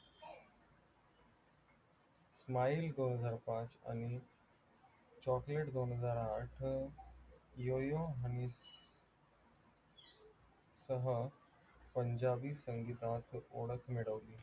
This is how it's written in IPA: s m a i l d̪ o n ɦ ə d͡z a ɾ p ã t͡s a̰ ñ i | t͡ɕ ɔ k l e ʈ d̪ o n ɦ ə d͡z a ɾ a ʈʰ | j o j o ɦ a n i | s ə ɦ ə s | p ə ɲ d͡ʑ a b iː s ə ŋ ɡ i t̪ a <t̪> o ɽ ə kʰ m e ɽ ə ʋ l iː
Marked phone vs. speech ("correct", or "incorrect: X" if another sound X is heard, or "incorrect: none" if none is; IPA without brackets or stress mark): correct